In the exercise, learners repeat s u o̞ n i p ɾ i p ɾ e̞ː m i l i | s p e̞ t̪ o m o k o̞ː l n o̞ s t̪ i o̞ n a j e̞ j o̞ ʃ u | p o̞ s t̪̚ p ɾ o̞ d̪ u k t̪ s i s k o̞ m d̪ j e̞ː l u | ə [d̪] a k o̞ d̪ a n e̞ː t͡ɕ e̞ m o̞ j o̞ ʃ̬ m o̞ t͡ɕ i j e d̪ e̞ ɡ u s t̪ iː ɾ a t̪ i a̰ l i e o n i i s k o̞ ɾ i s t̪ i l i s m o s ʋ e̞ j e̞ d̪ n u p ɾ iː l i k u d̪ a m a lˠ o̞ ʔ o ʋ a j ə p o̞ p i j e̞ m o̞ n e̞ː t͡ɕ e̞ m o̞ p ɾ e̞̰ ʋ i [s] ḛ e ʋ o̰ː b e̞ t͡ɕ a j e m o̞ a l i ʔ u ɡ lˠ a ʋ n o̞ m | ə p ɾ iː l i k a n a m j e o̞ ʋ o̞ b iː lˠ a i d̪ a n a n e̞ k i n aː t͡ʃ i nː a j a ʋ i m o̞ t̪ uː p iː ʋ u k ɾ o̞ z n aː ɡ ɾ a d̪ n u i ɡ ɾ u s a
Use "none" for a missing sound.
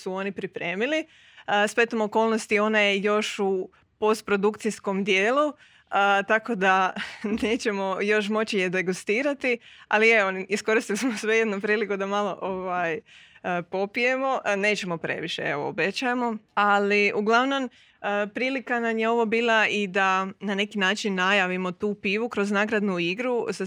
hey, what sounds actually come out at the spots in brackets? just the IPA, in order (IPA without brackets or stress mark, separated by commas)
t̪, ʃ